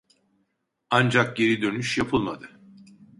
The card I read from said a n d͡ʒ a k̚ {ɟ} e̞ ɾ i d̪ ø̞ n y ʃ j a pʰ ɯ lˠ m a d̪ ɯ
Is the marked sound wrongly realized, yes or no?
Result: no